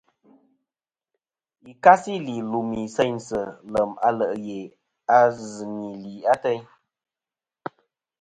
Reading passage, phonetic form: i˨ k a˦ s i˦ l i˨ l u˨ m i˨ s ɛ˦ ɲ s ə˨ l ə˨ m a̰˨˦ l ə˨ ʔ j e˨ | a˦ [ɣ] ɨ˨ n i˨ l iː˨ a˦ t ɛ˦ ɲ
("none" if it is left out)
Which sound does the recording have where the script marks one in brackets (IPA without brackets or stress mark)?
z